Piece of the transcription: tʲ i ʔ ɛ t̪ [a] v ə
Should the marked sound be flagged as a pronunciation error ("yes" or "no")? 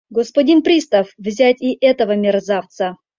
yes